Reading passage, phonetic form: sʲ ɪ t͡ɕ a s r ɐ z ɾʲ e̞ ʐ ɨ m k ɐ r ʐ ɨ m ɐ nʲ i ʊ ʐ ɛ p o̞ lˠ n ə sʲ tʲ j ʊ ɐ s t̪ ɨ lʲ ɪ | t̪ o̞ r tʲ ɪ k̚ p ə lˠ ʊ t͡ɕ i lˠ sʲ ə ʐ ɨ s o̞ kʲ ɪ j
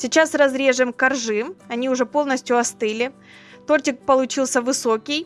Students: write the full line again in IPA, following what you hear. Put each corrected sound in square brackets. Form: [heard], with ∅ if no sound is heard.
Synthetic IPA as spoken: sʲ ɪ t͡ɕ a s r ɐ z ɾʲ e̞ ʐ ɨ m k ɐ r ʐ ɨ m ɐ nʲ i ʊ ʐ ɛ p o̞ lˠ n ə sʲ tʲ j ʊ ɐ s t̪ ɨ lʲ ɪ | t̪ o̞ r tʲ ɪ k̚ p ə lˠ ʊ t͡ɕ i lˠ sʲ ə [v] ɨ s o̞ kʲ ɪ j

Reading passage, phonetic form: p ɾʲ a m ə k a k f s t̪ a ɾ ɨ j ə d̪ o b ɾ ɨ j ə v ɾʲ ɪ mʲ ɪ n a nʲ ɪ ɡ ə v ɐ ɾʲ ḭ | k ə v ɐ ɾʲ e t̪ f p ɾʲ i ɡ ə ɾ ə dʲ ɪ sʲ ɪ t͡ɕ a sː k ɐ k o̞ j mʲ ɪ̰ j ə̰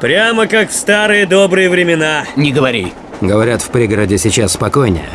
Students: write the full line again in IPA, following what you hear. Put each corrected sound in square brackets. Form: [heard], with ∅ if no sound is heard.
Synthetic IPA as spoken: p ɾʲ a m ə k a k f s t̪ a ɾ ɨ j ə d̪ o b ɾ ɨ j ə v ɾʲ ɪ mʲ ɪ n a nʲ ɪ ɡ ə v ɐ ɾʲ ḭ | [ɡ] ə v ɐ ɾʲ [a] t̪ f p ɾʲ i ɡ ə ɾ ə dʲ ɪ sʲ ɪ t͡ɕ a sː [p] ɐ k o̞ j [nʲ] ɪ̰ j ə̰

